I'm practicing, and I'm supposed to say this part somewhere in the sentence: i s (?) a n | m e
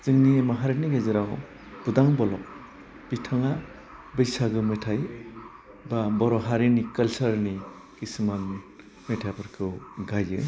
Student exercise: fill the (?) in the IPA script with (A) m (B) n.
A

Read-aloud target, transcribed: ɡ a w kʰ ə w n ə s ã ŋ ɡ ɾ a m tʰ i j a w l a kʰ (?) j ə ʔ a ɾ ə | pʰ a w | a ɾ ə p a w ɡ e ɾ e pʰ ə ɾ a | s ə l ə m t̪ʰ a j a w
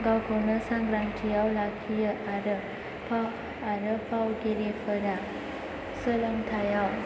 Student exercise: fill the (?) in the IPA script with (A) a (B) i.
B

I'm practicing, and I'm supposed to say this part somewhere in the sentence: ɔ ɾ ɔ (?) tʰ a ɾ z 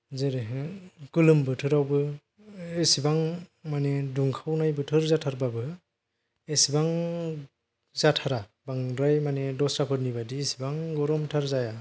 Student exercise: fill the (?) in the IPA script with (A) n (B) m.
B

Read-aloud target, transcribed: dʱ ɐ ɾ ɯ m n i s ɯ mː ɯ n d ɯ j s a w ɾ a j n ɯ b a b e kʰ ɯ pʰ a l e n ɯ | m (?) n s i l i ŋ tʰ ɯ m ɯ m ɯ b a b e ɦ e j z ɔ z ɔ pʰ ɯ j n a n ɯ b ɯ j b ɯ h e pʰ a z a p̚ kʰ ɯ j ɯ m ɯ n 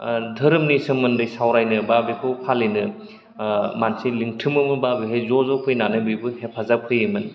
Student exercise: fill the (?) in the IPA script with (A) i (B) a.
B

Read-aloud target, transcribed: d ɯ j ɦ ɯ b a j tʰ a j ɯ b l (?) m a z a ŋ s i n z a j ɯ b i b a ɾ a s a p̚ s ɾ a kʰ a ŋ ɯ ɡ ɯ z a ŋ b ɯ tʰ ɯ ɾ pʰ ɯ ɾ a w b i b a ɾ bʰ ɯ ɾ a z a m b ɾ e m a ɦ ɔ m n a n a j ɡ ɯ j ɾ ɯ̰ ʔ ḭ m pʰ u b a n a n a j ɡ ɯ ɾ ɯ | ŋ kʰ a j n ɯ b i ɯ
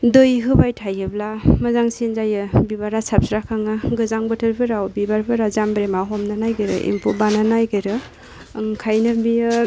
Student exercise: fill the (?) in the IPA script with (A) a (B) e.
A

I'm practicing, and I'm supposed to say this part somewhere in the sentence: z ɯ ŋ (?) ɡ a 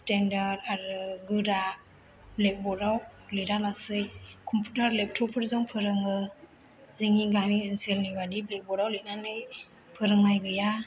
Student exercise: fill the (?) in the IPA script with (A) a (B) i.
B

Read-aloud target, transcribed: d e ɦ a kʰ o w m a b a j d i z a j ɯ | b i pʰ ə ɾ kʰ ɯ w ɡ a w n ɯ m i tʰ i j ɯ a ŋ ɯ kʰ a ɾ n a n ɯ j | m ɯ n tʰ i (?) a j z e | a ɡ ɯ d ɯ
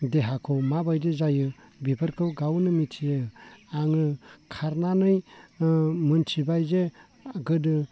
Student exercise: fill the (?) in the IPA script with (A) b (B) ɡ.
A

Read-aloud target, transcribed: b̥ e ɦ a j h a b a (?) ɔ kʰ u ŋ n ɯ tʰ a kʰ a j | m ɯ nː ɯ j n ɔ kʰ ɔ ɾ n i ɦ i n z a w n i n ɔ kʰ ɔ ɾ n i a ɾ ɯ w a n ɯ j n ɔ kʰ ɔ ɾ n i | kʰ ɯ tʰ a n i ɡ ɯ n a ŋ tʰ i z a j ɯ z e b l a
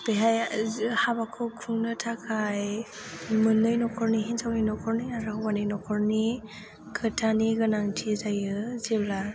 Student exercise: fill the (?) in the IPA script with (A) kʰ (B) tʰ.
A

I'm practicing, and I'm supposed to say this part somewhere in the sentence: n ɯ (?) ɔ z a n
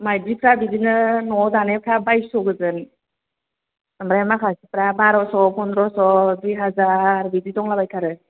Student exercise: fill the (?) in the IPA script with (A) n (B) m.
A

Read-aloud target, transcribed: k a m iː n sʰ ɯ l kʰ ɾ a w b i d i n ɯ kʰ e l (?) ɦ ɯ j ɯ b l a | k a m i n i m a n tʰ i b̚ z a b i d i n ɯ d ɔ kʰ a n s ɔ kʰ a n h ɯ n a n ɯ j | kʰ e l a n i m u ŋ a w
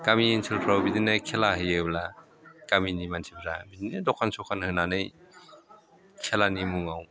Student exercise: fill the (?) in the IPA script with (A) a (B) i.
A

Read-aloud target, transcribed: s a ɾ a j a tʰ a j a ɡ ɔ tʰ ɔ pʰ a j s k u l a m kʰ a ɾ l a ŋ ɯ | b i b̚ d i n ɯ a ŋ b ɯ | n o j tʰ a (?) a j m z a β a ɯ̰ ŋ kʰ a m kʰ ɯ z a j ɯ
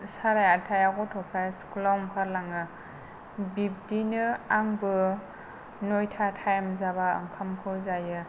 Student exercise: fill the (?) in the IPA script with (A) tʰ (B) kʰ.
A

